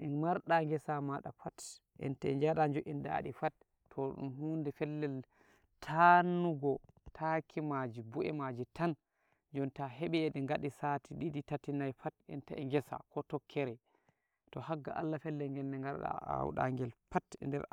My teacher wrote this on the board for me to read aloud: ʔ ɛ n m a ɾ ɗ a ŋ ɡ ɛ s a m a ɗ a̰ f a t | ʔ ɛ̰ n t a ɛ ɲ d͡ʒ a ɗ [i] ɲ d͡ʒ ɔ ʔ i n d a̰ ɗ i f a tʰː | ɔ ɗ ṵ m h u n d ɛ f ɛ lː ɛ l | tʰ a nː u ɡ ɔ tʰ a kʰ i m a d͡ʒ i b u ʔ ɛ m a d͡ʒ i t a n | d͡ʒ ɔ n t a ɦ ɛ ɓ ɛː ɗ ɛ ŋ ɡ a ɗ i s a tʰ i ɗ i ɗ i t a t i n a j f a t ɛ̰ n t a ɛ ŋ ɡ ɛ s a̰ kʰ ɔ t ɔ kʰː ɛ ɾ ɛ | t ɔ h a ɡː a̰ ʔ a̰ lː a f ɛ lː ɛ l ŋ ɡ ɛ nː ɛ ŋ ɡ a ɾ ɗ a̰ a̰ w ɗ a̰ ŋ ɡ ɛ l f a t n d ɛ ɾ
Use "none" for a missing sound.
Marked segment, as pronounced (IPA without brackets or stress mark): a